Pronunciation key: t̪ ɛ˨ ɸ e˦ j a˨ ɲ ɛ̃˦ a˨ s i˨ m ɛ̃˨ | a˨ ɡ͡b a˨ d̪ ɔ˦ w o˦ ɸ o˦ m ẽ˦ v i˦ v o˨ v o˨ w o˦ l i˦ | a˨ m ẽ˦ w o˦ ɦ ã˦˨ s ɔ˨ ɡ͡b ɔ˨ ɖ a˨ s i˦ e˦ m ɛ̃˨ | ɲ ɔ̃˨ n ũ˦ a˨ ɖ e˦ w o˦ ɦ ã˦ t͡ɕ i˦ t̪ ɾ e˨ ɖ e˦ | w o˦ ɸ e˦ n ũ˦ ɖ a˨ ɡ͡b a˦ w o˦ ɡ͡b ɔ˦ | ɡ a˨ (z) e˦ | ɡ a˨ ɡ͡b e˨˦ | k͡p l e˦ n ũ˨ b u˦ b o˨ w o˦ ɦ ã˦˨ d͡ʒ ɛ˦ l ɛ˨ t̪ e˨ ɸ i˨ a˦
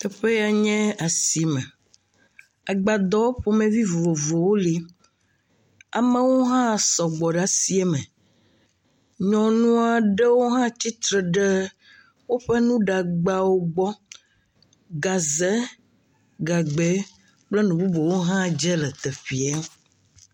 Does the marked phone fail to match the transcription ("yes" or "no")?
no